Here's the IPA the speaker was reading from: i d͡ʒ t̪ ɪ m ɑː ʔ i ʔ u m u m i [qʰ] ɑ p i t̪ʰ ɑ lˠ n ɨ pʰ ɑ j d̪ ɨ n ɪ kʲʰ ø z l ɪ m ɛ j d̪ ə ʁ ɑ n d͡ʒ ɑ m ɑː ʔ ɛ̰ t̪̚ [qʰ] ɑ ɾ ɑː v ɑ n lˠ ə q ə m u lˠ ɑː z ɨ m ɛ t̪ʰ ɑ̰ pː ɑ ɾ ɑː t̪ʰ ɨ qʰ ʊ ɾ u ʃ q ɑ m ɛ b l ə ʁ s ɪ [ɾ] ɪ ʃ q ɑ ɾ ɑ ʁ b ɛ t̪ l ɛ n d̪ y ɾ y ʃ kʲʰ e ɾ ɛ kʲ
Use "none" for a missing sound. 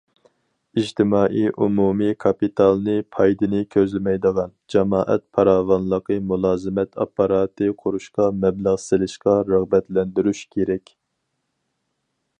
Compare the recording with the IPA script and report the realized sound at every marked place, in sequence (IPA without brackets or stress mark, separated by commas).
kʰ, pʰ, l